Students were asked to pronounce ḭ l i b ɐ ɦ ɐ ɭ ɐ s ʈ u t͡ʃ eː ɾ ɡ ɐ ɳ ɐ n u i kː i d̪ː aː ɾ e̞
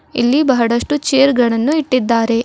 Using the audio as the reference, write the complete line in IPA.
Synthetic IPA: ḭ lː i b ɐ ɦ ɐ ɽ ɐ ʂ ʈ u t͡ʃ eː ɾ ɡ ɐ ɳ ɐ nː u i ʈː i d̪ː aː ɾ e̞